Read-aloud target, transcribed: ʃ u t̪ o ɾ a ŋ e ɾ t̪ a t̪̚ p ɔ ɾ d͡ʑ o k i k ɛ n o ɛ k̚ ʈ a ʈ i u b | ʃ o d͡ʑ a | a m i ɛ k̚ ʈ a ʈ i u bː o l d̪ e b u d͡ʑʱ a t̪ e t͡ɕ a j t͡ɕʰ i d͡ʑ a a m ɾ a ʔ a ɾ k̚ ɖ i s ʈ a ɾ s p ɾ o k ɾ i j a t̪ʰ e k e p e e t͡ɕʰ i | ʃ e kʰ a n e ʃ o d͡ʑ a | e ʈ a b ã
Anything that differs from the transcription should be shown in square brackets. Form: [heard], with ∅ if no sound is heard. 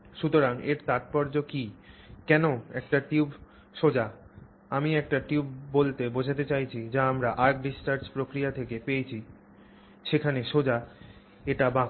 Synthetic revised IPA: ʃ u t̪ o ɾ a ŋ e ɾ t̪ a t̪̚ p ɔ ɾ d͡ʑ o k i k ɛ n o ɛ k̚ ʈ a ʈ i u b | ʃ o d͡ʑ a | a m i ɛ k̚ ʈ a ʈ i u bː o l [t̪] e b [o] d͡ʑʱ a t̪ e t͡ɕ a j t͡ɕʰ i d͡ʑ a a m ɾ a ʔ a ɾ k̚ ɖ i s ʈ a ɾ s p ɾ o k ɾ i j a t̪ʰ e k e p e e t͡ɕʰ i | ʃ e kʰ a n e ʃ o d͡ʑ a | e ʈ a b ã

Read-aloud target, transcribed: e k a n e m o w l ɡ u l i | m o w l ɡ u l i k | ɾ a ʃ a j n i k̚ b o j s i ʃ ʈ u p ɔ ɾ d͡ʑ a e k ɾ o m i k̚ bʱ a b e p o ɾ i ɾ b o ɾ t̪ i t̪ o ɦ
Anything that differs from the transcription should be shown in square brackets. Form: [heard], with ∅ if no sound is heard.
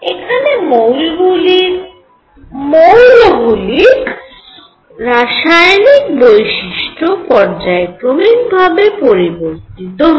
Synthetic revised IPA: e [kʰ] a n e m o w l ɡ u l i | m o w l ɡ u l i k | ɾ a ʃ a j n i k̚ b o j [ʃ] i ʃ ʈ [o] p ɔ ɾ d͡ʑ a e k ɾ o m i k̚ bʱ a b e p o ɾ i [∅] b o ɾ t̪ i t̪ o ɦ

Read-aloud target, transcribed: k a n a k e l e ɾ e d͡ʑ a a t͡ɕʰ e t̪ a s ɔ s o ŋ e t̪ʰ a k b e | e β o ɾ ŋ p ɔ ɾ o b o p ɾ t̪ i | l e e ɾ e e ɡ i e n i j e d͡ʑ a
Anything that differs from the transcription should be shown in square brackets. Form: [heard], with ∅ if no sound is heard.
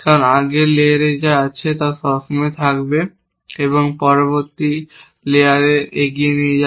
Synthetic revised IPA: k a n a [ɡ] e l e ɾ e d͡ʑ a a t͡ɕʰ e t̪ a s ɔ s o [m] e t̪ʰ a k b e | e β o [∅] ŋ p ɔ ɾ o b o [∅] ɾ t̪ i | l e [a] ɾ e e ɡ i e n i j e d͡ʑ a

